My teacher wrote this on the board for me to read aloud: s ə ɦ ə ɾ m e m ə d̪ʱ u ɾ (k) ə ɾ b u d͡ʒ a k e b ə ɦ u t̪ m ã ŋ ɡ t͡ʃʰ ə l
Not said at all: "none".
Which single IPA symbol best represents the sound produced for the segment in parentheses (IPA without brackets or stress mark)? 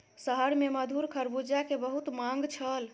kʰ